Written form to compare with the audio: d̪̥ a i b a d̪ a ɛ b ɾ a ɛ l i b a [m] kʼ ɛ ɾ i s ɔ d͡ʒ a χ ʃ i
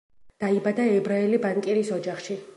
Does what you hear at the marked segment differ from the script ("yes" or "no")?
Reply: yes